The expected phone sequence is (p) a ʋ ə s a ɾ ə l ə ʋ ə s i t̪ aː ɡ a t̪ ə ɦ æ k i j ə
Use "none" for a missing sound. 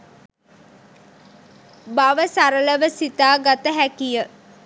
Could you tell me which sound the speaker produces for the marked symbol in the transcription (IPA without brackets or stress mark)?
b